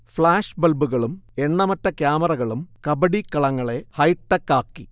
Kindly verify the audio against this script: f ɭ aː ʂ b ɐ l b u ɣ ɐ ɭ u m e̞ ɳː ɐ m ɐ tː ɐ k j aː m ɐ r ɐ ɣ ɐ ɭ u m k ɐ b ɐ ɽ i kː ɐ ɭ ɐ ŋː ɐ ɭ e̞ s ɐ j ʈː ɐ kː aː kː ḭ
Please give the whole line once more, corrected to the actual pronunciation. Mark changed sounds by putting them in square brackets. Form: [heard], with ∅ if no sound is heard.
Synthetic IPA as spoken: f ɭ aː ʂ b ɐ l b u ɣ ɐ ɭ u m e̞ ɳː ɐ m ɐ tː ɐ k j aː m ɐ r ɐ ɣ ɐ ɭ u m k ɐ b ɐ ɽ i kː ɐ ɭ ɐ ŋː ɐ ɭ e̞ [h] ɐ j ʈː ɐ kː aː kː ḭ